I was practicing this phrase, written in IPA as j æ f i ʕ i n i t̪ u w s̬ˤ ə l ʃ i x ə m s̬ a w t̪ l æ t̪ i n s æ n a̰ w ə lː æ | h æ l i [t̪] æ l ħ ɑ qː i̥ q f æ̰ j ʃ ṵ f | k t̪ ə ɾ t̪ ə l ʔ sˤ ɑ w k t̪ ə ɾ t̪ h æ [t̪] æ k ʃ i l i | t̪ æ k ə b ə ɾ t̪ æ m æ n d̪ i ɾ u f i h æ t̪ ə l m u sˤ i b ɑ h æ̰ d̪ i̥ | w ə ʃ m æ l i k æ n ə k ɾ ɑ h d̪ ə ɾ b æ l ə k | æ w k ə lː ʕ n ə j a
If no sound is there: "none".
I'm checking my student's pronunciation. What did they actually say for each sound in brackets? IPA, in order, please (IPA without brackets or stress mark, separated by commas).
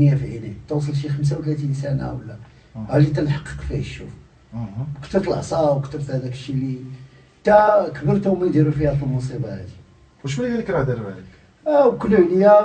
t̪, d̪